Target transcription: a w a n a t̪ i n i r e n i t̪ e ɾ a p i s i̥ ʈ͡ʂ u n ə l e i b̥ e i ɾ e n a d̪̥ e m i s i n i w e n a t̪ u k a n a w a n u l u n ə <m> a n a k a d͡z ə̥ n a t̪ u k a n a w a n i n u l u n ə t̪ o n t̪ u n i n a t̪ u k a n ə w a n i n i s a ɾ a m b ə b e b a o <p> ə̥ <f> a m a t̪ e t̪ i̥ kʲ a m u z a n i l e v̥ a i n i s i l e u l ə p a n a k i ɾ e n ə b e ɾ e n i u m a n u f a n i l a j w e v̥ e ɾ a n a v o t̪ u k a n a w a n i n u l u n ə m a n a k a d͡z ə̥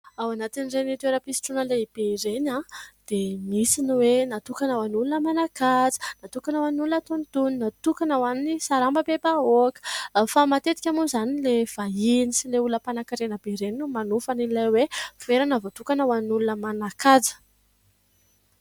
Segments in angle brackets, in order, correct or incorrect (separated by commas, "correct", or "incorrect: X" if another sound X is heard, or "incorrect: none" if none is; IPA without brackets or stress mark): correct, incorrect: k, correct